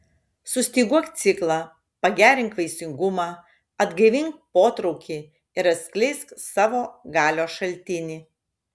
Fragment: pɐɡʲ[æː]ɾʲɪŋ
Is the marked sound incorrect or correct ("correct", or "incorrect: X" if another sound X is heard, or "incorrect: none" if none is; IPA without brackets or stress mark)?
correct